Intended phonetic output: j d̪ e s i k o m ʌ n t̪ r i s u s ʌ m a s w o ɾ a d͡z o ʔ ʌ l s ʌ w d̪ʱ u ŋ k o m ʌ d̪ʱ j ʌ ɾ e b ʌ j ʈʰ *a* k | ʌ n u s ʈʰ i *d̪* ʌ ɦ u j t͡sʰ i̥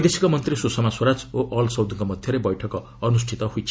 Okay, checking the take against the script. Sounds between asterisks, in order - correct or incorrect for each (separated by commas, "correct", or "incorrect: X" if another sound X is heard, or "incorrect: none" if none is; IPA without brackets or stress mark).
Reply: incorrect: ʌ, incorrect: t̪